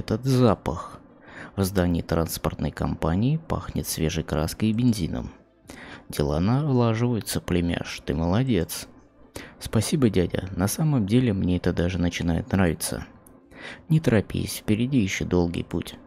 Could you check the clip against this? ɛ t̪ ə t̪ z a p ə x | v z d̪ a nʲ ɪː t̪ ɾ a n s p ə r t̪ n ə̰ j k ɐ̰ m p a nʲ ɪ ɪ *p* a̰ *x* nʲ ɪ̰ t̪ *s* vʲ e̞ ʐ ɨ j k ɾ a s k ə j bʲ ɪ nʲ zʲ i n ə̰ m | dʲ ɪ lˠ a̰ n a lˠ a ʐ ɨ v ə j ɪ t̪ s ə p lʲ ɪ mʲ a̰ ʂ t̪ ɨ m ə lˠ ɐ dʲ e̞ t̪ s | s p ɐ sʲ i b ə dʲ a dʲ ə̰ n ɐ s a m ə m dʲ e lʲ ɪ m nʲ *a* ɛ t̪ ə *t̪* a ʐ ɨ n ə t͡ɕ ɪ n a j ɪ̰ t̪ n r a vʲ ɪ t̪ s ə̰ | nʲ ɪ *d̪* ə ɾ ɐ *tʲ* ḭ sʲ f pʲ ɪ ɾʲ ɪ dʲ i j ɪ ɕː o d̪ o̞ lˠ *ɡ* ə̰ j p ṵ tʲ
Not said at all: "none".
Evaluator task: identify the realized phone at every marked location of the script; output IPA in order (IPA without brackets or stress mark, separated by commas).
p, x, s, e, d̪, t̪, pʲ, ɡ